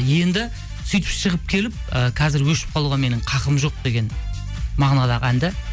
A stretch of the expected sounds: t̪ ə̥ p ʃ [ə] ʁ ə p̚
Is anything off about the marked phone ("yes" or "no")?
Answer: no